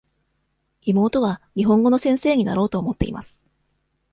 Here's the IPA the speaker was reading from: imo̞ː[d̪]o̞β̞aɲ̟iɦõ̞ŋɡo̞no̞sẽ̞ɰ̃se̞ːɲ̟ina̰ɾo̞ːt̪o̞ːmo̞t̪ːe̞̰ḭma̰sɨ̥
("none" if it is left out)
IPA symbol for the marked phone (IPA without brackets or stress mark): t̪